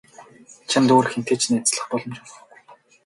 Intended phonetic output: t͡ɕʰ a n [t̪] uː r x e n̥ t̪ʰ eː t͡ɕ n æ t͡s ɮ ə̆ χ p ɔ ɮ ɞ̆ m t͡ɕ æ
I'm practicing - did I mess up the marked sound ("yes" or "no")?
no